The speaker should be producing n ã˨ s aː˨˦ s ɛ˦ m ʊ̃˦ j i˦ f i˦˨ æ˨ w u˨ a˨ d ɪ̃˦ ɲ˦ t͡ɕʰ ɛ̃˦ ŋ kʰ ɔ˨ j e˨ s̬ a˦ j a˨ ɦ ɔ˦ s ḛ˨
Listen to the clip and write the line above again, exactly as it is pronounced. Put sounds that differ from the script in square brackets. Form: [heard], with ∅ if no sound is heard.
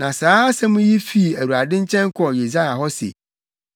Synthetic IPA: n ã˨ s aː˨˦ s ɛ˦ m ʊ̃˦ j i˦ f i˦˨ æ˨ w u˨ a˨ d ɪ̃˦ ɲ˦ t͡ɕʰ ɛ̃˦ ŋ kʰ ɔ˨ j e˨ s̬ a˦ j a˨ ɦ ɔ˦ s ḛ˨